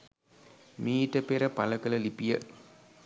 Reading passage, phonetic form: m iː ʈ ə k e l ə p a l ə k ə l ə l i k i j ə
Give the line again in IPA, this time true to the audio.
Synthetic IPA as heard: m iː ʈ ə p e ɾ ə p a l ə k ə l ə l i p i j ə